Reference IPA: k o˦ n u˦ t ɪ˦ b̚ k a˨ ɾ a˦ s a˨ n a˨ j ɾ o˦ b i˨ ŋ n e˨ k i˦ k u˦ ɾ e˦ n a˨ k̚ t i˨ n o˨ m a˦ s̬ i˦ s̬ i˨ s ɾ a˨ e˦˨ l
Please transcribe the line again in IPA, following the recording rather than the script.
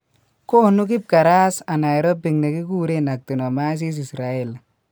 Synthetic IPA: k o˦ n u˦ k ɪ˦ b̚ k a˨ ɾ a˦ s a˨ n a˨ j ɾ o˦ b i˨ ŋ n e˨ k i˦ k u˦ ɾ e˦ n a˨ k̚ t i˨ n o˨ m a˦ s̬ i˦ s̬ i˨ s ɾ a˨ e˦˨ l